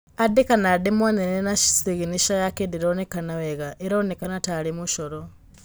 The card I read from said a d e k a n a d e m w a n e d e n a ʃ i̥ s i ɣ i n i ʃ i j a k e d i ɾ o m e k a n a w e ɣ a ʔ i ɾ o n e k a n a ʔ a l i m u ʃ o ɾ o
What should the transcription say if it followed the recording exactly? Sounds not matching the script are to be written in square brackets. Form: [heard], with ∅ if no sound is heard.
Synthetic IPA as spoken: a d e k a n a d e m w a n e [n] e n a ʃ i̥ s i ɣ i n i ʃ [a] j a k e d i ɾ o [n] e k a n a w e ɣ a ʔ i ɾ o n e k a n a [t] a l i m u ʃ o ɾ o